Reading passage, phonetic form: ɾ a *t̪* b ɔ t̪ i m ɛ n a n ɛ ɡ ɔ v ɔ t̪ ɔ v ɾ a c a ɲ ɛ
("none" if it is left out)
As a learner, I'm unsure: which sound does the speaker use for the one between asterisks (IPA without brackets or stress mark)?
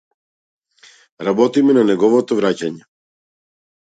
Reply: none